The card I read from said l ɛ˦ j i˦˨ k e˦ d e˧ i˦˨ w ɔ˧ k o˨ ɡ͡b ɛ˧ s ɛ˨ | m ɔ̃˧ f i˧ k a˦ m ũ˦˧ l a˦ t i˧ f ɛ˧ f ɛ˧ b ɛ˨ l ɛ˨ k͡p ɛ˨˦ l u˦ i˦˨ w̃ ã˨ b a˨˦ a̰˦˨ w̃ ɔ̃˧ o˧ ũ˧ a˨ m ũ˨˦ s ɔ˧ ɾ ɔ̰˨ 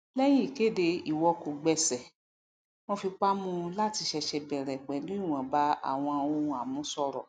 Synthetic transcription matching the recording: l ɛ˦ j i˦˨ k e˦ d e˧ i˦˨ w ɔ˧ k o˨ ɡ͡b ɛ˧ s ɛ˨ | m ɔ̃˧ f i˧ k͡p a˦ m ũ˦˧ l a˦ t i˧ ʃ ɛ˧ ʃ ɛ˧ b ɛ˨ ɾ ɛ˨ k͡p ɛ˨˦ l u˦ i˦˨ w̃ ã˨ b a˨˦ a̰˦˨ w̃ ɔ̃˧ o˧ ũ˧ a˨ m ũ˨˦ s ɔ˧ ɾ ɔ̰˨